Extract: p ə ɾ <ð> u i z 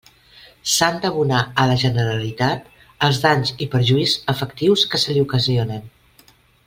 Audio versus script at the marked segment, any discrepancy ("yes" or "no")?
yes